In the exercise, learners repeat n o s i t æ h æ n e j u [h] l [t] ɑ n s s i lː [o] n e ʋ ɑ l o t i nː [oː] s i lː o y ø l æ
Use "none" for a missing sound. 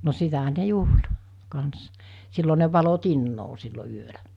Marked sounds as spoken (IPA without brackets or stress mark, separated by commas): h, k, o, oː